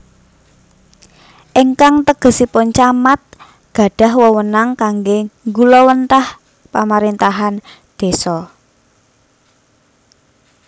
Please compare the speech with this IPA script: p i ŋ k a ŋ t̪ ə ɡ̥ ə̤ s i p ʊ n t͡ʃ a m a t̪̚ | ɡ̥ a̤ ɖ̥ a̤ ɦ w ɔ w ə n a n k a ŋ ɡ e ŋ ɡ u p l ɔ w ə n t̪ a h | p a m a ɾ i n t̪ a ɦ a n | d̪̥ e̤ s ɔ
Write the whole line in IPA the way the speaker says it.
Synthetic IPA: ʔ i ŋ k a ŋ t̪ ə ɡ̥ ə̤ s i p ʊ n t͡ʃ a m a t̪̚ | ɡ̥ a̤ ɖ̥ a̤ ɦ w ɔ w ə n a ŋ k a ŋ ɡ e ŋ ɡ u l ɔ w ə n t̪ a h | p a m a ɾ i n t̪ a ɦ a n | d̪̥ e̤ s ɔ